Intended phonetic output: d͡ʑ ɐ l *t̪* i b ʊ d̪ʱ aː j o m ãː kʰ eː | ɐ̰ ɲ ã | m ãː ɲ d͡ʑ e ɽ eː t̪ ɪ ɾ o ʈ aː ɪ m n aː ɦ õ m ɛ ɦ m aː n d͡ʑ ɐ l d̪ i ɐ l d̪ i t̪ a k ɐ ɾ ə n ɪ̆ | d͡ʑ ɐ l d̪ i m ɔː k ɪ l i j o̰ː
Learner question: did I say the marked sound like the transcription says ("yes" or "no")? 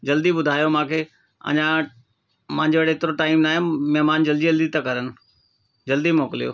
no